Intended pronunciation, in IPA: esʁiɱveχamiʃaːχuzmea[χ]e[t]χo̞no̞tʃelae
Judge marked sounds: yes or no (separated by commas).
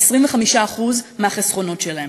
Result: yes, no